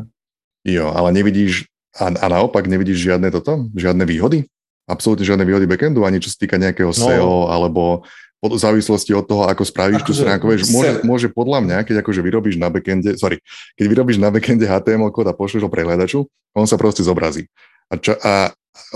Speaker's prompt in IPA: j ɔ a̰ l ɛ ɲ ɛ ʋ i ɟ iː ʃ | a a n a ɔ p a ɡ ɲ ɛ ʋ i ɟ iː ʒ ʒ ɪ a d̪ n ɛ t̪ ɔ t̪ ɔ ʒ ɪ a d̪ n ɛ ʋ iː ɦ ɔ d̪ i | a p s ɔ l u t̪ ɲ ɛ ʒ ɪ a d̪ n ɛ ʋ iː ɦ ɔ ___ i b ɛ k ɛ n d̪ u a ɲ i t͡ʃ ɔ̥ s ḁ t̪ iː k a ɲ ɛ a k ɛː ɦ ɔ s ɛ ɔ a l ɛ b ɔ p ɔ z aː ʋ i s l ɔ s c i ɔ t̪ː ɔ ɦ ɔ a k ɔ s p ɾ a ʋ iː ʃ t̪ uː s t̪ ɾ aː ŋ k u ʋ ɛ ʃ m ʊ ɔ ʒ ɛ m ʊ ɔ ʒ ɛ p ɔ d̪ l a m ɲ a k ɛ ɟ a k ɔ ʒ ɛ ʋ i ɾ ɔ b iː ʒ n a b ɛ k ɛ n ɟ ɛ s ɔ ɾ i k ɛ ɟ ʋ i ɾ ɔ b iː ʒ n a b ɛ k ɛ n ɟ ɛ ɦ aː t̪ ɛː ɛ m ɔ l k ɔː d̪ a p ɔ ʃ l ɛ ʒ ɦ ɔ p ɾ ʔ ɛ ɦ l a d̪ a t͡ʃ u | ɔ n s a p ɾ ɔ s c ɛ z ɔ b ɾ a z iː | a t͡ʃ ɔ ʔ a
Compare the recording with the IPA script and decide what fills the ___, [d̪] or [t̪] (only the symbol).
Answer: d̪